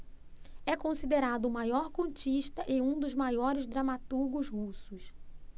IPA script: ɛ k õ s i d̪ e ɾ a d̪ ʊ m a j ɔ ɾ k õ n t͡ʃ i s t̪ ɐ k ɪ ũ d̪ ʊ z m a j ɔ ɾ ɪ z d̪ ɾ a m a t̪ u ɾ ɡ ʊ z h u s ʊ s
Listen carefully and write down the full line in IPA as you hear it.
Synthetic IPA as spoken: ɛ k õ s i d̪ e ɾ a d̪ ʊ m a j ɔ ɾ k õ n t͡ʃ i ʃ t̪ ɐ ʔ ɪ ũ d̪ ʊ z m a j ɔ ɾ ɪ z d̪ ɾ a m a t̪ u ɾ ɡ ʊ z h u s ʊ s